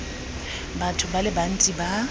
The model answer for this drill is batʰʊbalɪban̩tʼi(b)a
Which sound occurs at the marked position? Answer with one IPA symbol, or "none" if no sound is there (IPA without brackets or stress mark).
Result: b